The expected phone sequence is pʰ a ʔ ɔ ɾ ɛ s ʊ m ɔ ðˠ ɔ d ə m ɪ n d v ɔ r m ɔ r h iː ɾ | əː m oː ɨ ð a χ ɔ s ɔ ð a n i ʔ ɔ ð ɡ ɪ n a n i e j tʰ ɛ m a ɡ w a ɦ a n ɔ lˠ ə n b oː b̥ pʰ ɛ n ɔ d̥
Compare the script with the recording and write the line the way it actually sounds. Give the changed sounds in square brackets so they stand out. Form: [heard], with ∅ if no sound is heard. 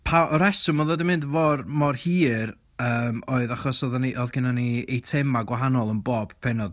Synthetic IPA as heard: pʰ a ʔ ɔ ɾ ɛ s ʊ m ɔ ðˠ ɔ d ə m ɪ n d v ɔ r m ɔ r h iː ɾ | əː m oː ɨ ð a χ ɔ s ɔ ð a n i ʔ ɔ ð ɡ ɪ n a n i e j tʰ ɛ m a ɡ w a ɦ a n ɔ lˠ ə n b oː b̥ pʰ ɛ n ɔ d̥